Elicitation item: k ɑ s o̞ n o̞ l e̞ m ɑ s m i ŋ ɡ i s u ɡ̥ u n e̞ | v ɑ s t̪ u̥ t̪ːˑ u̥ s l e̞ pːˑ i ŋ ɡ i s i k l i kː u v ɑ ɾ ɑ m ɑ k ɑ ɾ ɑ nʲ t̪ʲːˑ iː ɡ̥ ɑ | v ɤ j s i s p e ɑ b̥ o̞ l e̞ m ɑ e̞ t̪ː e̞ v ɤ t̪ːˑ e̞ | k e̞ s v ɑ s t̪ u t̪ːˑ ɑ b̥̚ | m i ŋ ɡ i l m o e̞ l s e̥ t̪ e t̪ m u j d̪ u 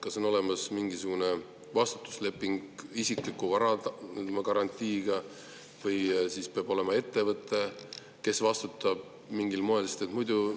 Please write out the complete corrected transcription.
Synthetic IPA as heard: k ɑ s o̞ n o̞ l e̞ m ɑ s m i ŋ ɡ i s u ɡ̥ u n e̞ | v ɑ s t̪ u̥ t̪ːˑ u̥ s l e̞ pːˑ i ŋ ɡ i s i k l i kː u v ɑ ɾ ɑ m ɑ k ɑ ɾ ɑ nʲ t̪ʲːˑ iː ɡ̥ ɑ | v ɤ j s i s p e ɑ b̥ o̞ l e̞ m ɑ e̞ t̪ː e̞ v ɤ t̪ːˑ e̞ | k e̞ s v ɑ s t̪ u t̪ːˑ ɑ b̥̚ | m i ŋ ɡ i l m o e̞ l s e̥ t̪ e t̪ m u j d̪ u